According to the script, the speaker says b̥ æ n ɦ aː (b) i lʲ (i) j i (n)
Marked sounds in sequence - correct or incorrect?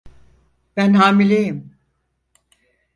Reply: incorrect, incorrect, incorrect

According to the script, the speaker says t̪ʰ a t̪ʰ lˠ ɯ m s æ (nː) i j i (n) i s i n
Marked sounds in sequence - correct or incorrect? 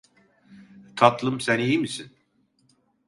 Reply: incorrect, incorrect

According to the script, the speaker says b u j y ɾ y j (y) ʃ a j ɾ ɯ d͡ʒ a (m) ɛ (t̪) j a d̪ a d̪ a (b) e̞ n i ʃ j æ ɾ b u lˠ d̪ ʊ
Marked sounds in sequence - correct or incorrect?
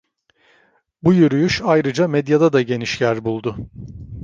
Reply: correct, correct, incorrect, incorrect

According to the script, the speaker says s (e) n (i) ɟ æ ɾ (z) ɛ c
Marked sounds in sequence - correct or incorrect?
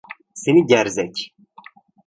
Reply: correct, correct, correct

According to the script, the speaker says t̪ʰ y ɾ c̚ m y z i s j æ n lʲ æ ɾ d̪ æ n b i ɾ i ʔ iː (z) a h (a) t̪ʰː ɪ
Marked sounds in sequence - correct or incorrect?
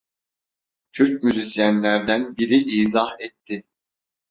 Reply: correct, incorrect

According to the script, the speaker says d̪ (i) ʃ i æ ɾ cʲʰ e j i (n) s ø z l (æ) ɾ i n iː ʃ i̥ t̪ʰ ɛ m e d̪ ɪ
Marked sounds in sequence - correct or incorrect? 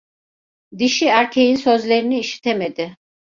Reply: correct, correct, incorrect

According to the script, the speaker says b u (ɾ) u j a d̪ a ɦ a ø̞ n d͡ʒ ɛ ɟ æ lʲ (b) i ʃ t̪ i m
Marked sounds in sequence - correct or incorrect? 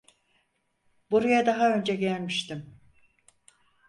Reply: correct, incorrect

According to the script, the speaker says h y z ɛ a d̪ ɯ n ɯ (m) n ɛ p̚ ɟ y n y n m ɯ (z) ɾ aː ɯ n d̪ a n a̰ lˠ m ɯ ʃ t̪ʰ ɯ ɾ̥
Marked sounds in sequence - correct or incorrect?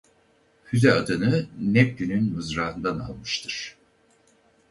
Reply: incorrect, correct

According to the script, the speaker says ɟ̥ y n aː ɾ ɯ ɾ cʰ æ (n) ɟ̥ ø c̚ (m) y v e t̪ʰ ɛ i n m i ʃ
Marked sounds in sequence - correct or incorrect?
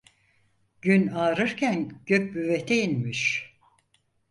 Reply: correct, incorrect

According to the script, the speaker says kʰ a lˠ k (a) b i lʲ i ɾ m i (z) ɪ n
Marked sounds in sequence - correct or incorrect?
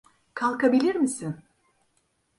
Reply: correct, incorrect

